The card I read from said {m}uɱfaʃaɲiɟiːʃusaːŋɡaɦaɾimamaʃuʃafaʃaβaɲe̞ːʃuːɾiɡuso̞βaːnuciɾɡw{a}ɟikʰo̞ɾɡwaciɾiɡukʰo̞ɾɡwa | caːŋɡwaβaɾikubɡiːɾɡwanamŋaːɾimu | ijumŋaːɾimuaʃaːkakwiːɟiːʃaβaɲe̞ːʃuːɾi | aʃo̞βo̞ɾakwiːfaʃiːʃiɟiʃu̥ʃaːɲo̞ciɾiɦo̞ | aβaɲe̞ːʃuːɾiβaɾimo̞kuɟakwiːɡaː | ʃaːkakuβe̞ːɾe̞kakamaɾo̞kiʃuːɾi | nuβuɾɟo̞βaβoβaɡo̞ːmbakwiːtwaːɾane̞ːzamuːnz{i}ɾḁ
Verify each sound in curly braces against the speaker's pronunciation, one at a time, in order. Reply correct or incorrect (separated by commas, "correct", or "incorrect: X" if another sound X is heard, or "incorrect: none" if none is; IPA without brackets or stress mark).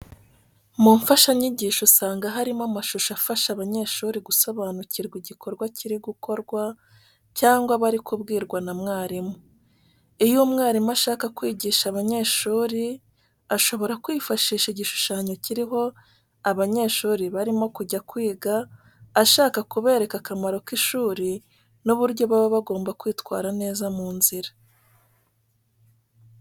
correct, incorrect: i, correct